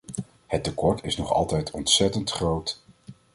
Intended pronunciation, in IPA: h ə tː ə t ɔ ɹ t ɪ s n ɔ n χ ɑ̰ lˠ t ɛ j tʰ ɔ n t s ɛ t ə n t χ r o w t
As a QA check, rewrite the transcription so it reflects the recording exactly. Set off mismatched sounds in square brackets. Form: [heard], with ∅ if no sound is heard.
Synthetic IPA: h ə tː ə [k] ɔ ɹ t ɪ s n ɔ [∅] χ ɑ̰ lˠ t ɛ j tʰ ɔ n t s ɛ t ə n t χ r o w t